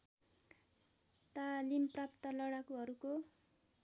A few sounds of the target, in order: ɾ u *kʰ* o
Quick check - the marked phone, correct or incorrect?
incorrect